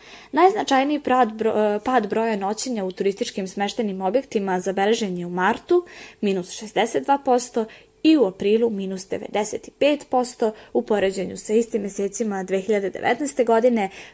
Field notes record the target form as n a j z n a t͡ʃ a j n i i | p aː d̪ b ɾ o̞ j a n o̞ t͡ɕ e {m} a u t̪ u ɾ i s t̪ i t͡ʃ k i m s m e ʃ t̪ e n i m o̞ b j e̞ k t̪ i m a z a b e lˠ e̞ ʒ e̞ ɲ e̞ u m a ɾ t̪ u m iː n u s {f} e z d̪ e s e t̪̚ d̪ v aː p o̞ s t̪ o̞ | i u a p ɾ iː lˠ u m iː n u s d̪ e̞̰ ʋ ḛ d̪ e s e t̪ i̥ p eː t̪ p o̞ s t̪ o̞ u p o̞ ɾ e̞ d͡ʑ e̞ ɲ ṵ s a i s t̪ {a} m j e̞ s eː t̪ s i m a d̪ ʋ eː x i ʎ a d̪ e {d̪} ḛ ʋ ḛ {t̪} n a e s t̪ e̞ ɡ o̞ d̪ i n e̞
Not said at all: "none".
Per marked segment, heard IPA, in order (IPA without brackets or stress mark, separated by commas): ɲ, ʃ, i, d̪, t̪